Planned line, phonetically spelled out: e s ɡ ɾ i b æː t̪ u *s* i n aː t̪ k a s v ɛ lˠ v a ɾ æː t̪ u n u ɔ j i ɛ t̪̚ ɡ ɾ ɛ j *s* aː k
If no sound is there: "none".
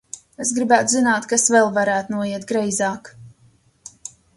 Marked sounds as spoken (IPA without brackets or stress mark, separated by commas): z, z